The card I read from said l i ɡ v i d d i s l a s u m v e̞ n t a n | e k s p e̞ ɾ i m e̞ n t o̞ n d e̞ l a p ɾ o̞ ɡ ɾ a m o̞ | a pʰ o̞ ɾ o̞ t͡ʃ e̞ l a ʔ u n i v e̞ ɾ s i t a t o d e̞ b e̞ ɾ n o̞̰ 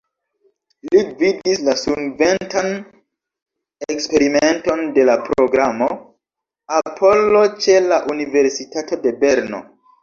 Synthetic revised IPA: l i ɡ v i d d i s l a s u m v e̞ n t a n | e k s p e̞ ɾ i m e̞ n t o̞ n d e̞ l a p ɾ o̞ ɡ ɾ a m o̞ | a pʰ o̞ l o̞ t͡ʃ e̞ l a ʔ u n i v e̞ ɾ s i t a t o d e̞ b e̞ ɾ n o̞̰